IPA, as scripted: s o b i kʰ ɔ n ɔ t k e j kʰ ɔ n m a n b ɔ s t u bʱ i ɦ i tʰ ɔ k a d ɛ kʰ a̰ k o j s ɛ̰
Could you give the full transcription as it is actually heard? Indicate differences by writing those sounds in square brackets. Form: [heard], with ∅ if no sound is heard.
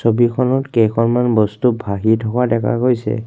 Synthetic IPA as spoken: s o b i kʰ ɔ n ɔ t k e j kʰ ɔ n m a n b ɔ s t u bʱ [a] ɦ i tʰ ɔ k a d ɛ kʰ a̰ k o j s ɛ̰